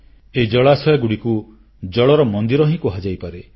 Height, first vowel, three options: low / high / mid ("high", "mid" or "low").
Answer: mid